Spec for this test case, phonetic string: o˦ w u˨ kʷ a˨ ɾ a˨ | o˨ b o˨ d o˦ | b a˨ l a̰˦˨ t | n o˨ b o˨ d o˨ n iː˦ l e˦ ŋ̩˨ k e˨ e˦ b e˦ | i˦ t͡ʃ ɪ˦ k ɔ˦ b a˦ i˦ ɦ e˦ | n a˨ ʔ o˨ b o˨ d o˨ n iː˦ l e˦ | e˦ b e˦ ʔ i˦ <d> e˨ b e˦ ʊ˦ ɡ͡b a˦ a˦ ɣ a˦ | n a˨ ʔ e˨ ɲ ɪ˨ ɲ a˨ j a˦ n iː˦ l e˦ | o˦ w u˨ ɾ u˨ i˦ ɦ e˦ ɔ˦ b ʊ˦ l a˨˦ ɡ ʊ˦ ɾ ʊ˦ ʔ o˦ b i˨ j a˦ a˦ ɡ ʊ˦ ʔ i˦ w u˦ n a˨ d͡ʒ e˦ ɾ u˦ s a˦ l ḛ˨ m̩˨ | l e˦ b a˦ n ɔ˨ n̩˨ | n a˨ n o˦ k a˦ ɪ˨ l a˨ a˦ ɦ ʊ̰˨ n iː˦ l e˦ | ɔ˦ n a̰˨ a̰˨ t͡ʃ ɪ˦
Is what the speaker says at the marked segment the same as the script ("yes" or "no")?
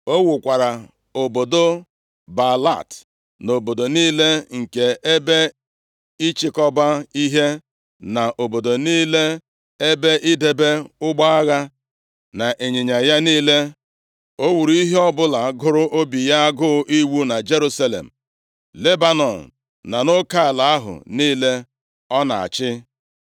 yes